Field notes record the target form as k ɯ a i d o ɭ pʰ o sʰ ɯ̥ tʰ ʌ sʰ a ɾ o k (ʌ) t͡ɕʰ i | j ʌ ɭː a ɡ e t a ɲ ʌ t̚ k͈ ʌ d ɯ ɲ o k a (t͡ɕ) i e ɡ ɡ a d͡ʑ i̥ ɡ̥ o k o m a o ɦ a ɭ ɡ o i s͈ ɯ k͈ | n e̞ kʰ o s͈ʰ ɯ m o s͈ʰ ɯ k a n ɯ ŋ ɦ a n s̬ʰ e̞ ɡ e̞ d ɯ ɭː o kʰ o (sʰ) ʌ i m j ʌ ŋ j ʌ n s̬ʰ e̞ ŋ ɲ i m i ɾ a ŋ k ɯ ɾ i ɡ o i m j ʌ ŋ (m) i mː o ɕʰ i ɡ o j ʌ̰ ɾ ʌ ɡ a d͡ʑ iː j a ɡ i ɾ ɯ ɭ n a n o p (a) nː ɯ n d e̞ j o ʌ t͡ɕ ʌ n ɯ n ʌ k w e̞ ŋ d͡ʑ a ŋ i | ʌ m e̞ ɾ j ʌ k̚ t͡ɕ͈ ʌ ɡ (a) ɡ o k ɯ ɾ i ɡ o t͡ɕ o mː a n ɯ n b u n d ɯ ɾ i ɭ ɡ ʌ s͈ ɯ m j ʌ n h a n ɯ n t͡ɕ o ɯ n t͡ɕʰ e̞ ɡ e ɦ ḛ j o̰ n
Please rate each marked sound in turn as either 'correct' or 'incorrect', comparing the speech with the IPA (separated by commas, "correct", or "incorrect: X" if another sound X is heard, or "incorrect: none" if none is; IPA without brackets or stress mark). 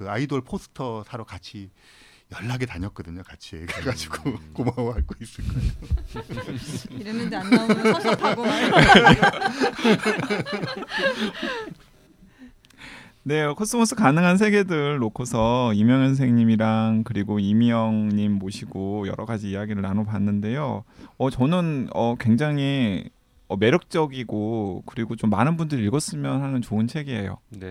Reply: incorrect: a, incorrect: t͡ɕʰ, correct, incorrect: ɲ, correct, incorrect: i